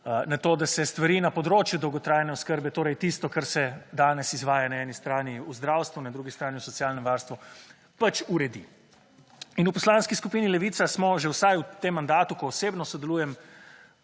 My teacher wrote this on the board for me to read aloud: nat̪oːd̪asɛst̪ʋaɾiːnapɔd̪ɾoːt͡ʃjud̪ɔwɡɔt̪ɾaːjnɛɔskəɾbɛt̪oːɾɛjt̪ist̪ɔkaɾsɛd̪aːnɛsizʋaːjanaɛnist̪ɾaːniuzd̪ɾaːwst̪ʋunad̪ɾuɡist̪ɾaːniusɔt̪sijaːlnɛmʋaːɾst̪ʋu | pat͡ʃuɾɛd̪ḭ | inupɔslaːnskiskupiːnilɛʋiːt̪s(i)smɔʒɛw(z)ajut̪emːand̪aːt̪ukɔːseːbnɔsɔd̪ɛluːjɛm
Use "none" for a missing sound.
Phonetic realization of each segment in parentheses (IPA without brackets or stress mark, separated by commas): a, s